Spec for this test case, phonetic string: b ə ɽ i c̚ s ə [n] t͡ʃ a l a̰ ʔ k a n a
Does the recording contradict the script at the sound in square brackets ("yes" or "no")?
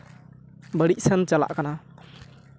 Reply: no